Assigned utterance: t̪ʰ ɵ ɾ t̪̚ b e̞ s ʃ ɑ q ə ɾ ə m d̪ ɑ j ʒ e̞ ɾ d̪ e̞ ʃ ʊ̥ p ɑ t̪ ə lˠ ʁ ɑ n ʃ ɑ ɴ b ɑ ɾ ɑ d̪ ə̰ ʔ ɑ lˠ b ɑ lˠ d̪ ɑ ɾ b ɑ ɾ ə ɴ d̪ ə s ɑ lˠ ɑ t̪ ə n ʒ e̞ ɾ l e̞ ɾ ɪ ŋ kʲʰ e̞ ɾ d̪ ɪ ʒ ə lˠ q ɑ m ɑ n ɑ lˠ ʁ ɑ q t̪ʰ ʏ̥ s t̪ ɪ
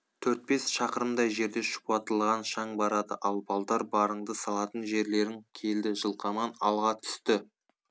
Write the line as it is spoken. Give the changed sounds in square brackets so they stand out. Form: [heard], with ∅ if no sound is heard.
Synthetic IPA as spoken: t̪ʰ ɵ ɾ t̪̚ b e̞ s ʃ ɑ q ə ɾ ə m d̪ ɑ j ʒ e̞ ɾ d̪ e̞ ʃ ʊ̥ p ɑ t̪ ə lˠ ʁ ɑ n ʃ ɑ ɴ b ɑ ɾ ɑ d̪ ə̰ ʔ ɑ lˠ b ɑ lˠ d̪ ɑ ɾ b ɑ ɾ ə ɴ d̪ ə s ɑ lˠ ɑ t̪ ə n ʒ e̞ ɾ l e̞ ɾ ɪ ŋ kʲʰ e̞ [l] d̪ ɪ ʒ ə lˠ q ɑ m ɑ n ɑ lˠ ʁ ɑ [∅] t̪ʰ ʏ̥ s t̪ ɪ

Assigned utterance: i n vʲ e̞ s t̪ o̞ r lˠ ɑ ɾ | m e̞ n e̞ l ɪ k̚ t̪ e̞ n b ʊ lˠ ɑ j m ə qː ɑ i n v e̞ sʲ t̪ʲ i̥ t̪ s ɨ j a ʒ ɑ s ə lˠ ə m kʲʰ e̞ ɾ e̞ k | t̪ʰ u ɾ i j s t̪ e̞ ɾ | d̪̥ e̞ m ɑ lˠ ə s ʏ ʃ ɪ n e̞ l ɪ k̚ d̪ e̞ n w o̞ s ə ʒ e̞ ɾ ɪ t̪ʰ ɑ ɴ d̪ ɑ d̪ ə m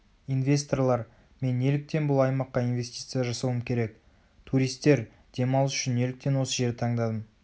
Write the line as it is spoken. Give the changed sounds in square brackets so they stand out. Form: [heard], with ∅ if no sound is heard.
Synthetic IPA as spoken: i n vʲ e̞ s t̪ o̞ r lˠ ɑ ɾ | m e̞ n e̞ l ɪ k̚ t̪ e̞ n b ʊ lˠ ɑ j m [ɑ] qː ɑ i n v e̞ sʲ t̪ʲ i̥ t̪ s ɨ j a ʒ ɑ s ə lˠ ə m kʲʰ e̞ ɾ e̞ k | t̪ʰ u ɾ i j s t̪ e̞ ɾ | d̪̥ e̞ m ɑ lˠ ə s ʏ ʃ ɪ n e̞ l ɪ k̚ [t̪] e̞ n w o̞ s ə ʒ e̞ ɾ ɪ t̪ʰ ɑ ɴ d̪ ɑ d̪ ə m

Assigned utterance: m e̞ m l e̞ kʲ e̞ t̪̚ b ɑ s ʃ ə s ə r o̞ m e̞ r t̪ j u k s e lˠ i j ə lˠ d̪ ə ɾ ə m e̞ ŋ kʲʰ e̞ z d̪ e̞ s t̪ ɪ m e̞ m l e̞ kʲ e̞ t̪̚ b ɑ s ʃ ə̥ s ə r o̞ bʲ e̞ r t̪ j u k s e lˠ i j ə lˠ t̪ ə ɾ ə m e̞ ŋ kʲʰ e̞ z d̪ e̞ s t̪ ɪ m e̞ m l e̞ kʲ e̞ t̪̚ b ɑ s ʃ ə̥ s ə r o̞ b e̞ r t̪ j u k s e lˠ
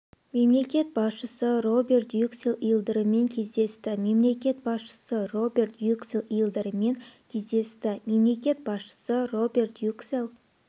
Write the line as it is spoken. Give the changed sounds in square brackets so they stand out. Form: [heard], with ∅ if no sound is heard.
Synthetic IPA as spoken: m e̞ m l e̞ kʲ e̞ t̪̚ b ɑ s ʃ ə s ə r o̞ [b] e̞ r t̪ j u k s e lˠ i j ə lˠ d̪ ə ɾ ə m e̞ ŋ kʲʰ e̞ z d̪ e̞ s t̪ ɪ m e̞ m l e̞ kʲ e̞ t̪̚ b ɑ s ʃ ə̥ s ə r o̞ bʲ e̞ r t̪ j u k s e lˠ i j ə lˠ [d̪] ə ɾ ə m e̞ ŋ kʲʰ e̞ z d̪ e̞ s t̪ ɪ m e̞ m l e̞ kʲ e̞ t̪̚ b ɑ s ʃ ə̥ s ə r o̞ b e̞ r t̪ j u k s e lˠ

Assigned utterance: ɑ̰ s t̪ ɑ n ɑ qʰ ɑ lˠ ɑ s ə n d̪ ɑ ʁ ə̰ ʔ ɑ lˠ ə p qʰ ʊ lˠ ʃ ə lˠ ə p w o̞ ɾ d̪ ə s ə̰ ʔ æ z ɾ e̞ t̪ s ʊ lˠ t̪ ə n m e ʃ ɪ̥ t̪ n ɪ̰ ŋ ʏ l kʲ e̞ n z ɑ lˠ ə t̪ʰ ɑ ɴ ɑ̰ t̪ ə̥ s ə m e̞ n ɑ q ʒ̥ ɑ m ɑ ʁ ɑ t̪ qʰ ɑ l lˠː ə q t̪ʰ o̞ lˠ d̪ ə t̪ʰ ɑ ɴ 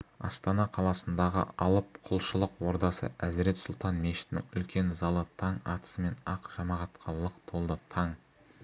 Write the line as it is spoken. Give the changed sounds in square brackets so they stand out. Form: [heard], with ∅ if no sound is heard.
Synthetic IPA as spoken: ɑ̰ s t̪ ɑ n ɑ qʰ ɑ lˠ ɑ s ə n d̪ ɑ ʁ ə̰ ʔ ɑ lˠ ə p qʰ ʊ lˠ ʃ ə lˠ ə [q] w o̞ ɾ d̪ [ɑ] s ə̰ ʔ æ z ɾ e̞ t̪ s ʊ lˠ t̪ [ɑ] n m e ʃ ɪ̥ t̪ n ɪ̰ ŋ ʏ l kʲ e̞ n z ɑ lˠ ə t̪ʰ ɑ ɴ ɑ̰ t̪ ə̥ s ə m e̞ n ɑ q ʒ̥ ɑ m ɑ ʁ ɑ t̪ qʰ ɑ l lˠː ə q t̪ʰ o̞ lˠ d̪ ə t̪ʰ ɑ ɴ

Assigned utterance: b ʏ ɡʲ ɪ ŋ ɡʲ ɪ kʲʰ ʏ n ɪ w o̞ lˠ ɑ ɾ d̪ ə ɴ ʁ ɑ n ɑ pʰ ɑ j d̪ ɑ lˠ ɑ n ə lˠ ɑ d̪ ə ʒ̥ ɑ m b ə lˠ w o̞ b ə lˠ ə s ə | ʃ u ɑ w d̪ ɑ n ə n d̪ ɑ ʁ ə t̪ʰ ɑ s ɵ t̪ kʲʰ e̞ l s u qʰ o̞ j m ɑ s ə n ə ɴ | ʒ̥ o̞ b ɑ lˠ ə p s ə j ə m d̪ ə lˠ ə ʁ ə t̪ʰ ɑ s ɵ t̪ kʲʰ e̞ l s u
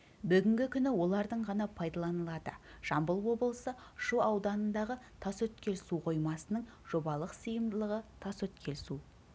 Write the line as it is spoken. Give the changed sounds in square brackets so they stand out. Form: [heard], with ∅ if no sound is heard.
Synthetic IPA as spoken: b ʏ ɡʲ ɪ ŋ ɡʲ ɪ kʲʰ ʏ n ɪ w o̞ lˠ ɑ ɾ d̪ ə ɴ ʁ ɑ n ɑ pʰ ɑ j d̪ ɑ lˠ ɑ n ə lˠ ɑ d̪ ə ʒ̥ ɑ m b ə lˠ w o̞ b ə lˠ ə s ə | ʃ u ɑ w d̪ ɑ n ə n d̪ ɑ ʁ ə t̪ʰ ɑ s ɵ t̪ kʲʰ e̞ l s u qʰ o̞ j m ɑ s ə n ə ɴ | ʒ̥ o̞ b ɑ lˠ ə [q] s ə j ə m d̪ ə lˠ ə ʁ ə t̪ʰ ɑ s ɵ t̪ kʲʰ e̞ l s u

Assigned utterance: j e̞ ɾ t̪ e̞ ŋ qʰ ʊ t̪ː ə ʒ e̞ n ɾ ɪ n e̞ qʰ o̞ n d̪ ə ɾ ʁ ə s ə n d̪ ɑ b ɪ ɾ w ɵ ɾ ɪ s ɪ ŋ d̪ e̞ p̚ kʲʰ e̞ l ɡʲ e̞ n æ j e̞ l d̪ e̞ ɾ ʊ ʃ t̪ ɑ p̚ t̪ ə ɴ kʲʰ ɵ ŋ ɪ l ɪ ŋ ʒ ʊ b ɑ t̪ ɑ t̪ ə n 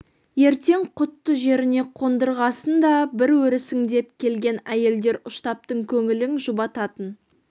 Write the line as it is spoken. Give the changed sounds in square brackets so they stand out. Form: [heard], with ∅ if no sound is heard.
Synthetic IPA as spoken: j e̞ ɾ t̪ e̞ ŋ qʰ ʊ t̪ː ə ʒ e̞ [∅] ɾ ɪ n e̞ qʰ o̞ n d̪ ə ɾ ʁ [ɑ] s ə n d̪ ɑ b ɪ ɾ w ɵ ɾ ɪ s ɪ ŋ d̪ e̞ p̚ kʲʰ e̞ l ɡʲ e̞ n æ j e̞ l d̪ e̞ ɾ ʊ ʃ t̪ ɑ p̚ t̪ ə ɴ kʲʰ ɵ ŋ ɪ l ɪ ŋ ʒ ʊ b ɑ t̪ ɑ t̪ ə n

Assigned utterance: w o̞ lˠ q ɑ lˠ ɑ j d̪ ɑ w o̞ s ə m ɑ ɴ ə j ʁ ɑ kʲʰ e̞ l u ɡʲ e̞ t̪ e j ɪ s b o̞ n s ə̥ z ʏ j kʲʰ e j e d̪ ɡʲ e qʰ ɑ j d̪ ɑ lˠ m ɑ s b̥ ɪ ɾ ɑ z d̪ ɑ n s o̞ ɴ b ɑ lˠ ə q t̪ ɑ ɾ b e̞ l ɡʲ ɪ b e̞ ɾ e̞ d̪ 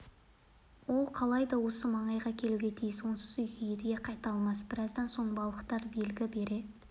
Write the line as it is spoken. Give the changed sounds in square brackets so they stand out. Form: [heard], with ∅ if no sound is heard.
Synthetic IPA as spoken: w o̞ lˠ [qʰ] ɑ lˠ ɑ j d̪ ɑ w o̞ s ə m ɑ ɴ [ɑ] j ʁ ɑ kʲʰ e̞ l u ɡʲ e̞ [t̪ʰ] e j ɪ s [w] o̞ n s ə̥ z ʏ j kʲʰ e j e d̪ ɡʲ e qʰ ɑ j [t̪] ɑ lˠ m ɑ s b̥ ɪ ɾ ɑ z d̪ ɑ n s o̞ ɴ b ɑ lˠ ə q t̪ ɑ ɾ b e̞ l ɡʲ ɪ b e̞ ɾ e̞ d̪

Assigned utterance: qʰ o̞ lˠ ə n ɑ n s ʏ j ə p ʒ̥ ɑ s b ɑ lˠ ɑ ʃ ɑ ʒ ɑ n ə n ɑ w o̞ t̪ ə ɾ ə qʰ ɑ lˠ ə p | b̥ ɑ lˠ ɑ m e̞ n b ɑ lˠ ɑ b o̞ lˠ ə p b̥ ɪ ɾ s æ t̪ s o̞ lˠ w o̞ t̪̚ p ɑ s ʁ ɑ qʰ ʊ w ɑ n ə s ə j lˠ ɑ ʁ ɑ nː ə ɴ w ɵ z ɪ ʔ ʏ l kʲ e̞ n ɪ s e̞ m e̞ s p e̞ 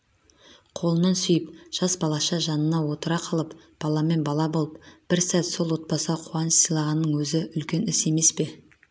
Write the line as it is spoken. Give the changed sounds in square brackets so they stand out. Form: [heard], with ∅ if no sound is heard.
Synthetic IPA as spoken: qʰ o̞ lˠ ə n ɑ n s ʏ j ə p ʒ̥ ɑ s b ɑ lˠ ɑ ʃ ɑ ʒ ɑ n ə n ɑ w o̞ t̪ ə ɾ [ɑ] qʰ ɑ lˠ ə p | b̥ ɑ lˠ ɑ m e̞ n b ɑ lˠ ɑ b o̞ lˠ ə p b̥ ɪ ɾ s æ t̪ s o̞ lˠ w o̞ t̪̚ p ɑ s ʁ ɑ qʰ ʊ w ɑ n ə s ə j lˠ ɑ ʁ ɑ nː ə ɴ w ɵ z ɪ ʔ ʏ l kʲ e̞ n ɪ s e̞ m e̞ s p e̞

